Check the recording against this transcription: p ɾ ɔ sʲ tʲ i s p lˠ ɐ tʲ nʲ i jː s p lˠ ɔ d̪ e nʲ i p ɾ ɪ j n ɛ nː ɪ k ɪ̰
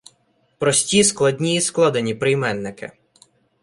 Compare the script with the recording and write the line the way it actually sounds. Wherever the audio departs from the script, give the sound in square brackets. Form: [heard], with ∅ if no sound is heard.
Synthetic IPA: p ɾ ɔ sʲ tʲ i s [k] lˠ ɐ [dʲ] nʲ i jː s [k] lˠ ɔ d̪ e nʲ i p ɾ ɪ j [m] ɛ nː ɪ k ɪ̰

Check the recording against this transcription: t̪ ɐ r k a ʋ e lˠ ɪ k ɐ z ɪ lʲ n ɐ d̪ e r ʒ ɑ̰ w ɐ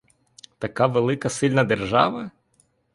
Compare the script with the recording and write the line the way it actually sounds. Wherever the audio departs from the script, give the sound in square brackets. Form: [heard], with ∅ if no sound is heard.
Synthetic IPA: t̪ ɐ [∅] k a ʋ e lˠ ɪ k ɐ [s] ɪ lʲ n ɐ d̪ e r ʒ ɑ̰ [ʋ] ɐ

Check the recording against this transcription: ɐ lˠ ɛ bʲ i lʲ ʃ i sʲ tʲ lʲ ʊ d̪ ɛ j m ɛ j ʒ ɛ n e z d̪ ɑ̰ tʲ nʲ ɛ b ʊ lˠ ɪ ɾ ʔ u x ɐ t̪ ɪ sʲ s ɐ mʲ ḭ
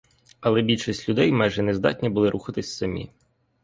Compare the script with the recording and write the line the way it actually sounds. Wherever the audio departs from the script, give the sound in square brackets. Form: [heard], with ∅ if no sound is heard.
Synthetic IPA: ɐ lˠ ɛ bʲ i lʲ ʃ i sʲ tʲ lʲ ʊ d̪ ɛ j m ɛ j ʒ ɛ n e z d̪ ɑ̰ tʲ nʲ [i] b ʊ lˠ ɪ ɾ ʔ u x ɐ t̪ ɪ sʲ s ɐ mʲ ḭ

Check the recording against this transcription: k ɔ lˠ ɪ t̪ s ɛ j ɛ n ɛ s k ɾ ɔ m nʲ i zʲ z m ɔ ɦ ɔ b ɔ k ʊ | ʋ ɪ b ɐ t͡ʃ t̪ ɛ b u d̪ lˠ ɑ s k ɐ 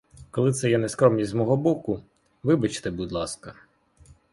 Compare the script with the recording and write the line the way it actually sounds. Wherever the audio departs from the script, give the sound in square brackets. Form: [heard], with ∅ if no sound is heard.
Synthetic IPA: k ɔ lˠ ɪ t̪ s ɛ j ɛ n ɛ s k ɾ ɔ m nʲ i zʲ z m ɔ ɦ ɔ b ɔ k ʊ | ʋ ɪ b ɐ t͡ʃ t̪ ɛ b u d̪ lˠ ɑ s k ɐ

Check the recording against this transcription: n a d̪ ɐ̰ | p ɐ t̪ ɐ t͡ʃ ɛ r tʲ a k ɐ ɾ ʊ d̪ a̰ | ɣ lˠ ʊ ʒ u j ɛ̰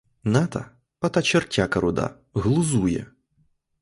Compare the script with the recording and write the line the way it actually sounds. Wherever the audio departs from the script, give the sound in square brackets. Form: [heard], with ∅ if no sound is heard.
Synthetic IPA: n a [t̪] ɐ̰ | p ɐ t̪ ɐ t͡ʃ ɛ r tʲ a k ɐ ɾ ʊ d̪ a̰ | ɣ lˠ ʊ [z] u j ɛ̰

